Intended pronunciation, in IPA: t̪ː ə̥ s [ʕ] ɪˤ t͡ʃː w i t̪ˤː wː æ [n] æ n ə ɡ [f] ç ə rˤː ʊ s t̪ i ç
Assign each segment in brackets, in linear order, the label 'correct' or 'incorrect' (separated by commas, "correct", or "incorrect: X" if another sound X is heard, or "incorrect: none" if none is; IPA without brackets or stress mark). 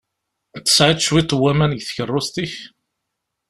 correct, incorrect: m, incorrect: θ